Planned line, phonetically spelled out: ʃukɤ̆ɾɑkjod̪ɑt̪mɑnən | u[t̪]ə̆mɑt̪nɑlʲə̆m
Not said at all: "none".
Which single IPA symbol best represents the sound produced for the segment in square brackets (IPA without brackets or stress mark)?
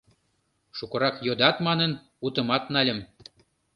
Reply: t̪